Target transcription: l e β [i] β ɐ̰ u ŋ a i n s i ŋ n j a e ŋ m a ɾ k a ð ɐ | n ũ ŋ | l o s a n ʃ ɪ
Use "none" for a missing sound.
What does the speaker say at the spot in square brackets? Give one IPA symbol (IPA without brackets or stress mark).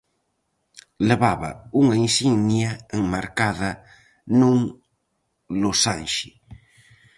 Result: a